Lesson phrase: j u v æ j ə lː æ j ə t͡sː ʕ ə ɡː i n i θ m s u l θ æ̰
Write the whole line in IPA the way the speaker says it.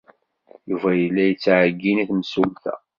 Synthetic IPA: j u v æ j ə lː æ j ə t͡sː ʕ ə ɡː i n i θ m s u l θ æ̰